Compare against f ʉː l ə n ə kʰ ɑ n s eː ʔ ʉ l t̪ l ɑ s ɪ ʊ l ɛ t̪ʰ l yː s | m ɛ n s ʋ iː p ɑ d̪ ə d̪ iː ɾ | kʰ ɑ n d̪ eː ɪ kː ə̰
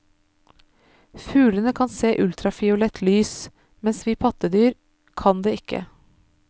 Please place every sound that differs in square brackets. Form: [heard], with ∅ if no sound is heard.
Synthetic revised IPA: f ʉː l ə n ə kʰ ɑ n s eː ʔ ʉ l t̪ [ɾ] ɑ [f] ɪ ʊ l ɛ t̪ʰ l yː s | m ɛ n s ʋ iː [pʰ] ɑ [t̪] ə d̪ [yː] ɾ | kʰ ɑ n d̪ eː ɪ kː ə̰

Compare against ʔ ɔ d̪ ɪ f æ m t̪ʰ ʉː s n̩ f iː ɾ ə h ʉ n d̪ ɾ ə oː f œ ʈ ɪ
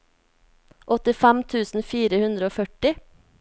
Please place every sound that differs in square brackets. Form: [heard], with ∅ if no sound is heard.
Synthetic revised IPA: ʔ ɔ [t̪] ɪ f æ m t̪ʰ ʉː s n̩ f iː ɾ ə h ʉ n d̪ ɾ ə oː f œ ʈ ɪ

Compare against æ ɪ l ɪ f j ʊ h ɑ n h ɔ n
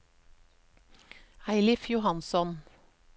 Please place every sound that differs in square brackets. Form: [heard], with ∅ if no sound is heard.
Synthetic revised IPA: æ ɪ l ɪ f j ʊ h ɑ n [s] ɔ n

